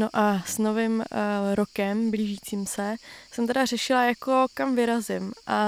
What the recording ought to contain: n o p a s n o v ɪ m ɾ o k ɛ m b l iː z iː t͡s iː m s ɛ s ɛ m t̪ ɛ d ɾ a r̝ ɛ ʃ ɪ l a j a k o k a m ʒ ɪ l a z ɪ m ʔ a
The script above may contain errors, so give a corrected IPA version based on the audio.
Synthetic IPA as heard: n o ʔ a s n o v ɪ m ɾ o k ɛ m b l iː ʒ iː t͡s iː m s ɛ s ɛ m t̪ ɛ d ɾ a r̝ ɛ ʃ ɪ l a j a k o k a m v ɪ ɾ a z ɪ m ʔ a